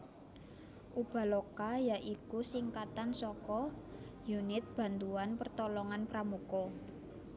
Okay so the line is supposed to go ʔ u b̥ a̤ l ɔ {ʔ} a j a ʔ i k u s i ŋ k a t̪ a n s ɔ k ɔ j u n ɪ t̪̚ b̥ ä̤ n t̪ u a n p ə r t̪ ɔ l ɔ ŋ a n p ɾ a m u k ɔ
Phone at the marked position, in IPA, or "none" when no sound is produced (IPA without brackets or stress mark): k